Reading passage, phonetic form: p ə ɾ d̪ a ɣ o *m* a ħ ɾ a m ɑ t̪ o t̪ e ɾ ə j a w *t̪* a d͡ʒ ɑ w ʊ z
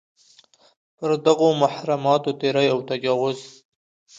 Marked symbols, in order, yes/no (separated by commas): yes, yes